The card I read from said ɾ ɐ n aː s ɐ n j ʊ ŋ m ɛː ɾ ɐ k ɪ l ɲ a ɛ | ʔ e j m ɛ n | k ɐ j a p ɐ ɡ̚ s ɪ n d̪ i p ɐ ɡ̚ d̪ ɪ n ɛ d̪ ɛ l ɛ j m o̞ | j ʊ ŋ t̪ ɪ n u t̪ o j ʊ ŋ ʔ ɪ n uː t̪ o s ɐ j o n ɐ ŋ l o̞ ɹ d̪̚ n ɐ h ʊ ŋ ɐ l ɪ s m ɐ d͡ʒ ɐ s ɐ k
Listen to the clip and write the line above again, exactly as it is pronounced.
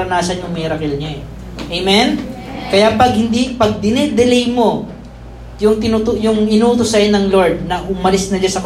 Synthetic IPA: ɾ ɐ n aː s ɐ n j ʊ ŋ m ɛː ɾ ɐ k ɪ l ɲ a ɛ | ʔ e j m ɛ n | k ɐ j a p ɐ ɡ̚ h ɪ n d̪ i p ɐ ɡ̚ d̪ ɪ n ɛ d̪ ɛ l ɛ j m o̞ | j ʊ ŋ t̪ ɪ n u t̪ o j ʊ ŋ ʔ ɪ n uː t̪ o s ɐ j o n ɐ ŋ l o̞ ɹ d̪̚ n ɐ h ʊ m ɐ l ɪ s n ɐ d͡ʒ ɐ s ɐ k